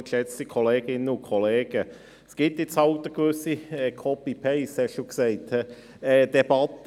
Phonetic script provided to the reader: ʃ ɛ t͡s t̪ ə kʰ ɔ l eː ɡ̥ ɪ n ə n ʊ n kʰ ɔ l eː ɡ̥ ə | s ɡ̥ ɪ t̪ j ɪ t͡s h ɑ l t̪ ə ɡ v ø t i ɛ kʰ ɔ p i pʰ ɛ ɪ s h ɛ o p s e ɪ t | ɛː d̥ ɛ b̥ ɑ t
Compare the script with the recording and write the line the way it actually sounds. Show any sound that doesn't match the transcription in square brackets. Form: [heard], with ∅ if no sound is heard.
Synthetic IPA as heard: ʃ ɛ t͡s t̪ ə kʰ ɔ l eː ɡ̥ ɪ n ə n ʊ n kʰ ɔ l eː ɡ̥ ə | s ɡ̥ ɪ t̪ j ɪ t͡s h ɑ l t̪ ə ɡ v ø [s] i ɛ kʰ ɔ p i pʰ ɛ ɪ s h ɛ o [k] s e ɪ t | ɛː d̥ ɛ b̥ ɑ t

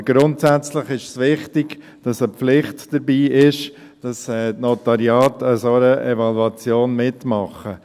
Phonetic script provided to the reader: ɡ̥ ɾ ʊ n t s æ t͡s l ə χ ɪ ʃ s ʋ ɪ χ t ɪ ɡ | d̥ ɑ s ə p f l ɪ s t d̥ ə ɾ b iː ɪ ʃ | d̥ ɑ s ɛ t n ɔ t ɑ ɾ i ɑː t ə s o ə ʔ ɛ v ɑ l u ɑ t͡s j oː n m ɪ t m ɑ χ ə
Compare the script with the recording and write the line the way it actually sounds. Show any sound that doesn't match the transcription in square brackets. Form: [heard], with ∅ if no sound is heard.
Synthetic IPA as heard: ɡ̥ ɾ ʊ n t s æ t͡s l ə χ ɪ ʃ s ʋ ɪ χ t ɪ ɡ | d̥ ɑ s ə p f l ɪ [χ] t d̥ ə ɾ b iː ɪ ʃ | d̥ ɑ s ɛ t n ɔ t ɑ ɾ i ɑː t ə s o ə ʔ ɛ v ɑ l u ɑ t͡s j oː n m ɪ t m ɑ χ ə

